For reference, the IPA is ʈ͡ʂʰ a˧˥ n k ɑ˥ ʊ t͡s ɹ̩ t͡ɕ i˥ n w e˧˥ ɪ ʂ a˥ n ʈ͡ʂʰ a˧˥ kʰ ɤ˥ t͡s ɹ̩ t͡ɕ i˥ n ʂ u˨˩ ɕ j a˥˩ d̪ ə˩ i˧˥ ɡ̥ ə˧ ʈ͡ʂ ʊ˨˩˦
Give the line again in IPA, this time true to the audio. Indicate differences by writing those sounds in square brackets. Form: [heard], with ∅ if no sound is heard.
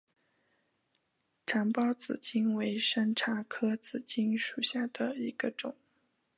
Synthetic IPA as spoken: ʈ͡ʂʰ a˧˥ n [p] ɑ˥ ʊ t͡s ɹ̩ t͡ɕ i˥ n w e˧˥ ɪ ʂ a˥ n ʈ͡ʂʰ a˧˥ kʰ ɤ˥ t͡s ɹ̩ t͡ɕ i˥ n ʂ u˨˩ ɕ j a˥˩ d̪ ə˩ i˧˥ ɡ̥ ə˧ ʈ͡ʂ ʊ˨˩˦